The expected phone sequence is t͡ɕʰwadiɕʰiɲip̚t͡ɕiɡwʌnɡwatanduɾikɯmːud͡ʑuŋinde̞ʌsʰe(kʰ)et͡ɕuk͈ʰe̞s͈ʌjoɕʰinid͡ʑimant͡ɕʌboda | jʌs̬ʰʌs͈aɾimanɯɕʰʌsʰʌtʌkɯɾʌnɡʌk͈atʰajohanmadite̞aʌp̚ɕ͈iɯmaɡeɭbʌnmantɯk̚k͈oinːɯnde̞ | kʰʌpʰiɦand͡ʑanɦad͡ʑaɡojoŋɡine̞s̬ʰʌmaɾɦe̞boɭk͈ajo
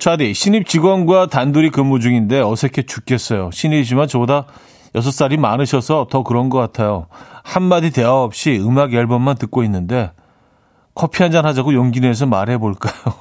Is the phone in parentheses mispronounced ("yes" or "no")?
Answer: no